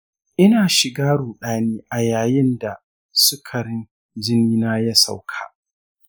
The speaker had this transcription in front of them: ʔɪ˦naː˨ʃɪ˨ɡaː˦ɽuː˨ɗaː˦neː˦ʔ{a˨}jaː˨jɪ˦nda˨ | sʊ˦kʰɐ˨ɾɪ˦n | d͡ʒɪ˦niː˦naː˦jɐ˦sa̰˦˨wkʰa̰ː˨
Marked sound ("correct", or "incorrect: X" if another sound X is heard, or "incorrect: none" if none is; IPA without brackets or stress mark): correct